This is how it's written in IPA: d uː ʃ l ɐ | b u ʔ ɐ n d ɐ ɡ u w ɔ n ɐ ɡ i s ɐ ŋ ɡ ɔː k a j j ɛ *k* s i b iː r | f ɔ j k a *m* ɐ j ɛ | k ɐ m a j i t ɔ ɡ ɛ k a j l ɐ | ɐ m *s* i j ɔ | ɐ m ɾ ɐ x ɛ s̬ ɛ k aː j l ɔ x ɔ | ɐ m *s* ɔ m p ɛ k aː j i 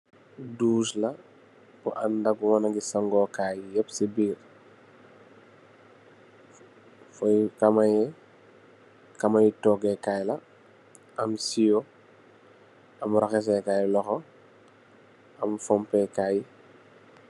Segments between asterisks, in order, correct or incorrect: incorrect: p, correct, correct, incorrect: f

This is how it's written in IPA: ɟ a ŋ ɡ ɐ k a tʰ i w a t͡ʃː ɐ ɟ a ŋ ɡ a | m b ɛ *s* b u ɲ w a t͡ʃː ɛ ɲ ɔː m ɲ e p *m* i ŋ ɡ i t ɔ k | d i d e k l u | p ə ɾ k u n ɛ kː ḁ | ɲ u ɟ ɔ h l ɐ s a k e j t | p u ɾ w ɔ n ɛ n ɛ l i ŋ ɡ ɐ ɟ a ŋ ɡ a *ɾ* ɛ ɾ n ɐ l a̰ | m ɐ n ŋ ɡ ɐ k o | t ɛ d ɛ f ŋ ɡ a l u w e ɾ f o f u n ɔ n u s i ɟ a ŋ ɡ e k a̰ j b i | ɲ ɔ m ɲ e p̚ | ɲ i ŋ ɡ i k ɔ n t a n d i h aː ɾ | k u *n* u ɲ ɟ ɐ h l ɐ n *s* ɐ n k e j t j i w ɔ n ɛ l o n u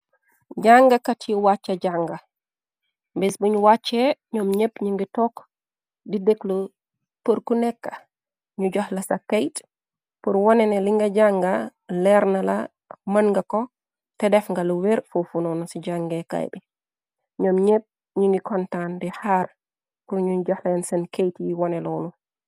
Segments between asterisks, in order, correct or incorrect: correct, incorrect: ɲ, incorrect: l, incorrect: ɲ, correct

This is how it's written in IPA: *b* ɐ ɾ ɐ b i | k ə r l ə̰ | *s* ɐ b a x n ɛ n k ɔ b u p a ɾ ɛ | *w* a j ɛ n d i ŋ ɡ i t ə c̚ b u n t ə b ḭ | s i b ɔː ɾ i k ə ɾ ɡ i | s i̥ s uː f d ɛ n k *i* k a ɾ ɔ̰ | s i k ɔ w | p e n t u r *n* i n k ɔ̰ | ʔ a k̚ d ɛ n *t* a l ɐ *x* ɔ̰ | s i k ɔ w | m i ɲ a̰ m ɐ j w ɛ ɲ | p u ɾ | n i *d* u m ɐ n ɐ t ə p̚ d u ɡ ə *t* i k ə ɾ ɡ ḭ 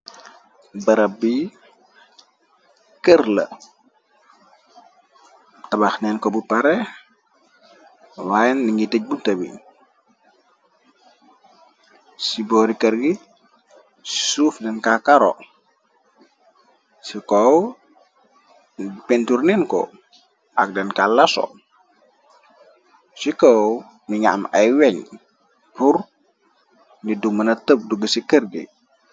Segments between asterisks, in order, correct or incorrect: correct, incorrect: t, correct, incorrect: a, correct, incorrect: k, incorrect: s, correct, incorrect: s

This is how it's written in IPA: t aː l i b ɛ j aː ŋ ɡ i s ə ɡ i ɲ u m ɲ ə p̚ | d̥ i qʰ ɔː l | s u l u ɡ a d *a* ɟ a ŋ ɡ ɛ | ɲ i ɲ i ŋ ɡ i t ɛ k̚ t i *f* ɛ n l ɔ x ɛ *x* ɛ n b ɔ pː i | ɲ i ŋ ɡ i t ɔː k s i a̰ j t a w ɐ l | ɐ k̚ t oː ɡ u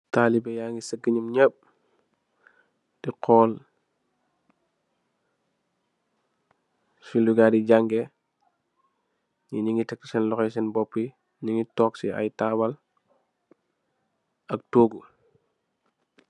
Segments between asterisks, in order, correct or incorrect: incorrect: i, incorrect: s, incorrect: s

